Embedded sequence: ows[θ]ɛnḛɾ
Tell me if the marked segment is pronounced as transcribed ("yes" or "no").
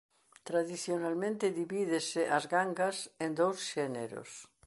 no